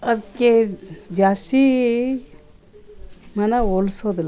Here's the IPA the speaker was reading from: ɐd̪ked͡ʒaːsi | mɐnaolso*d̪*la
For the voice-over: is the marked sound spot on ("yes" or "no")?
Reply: yes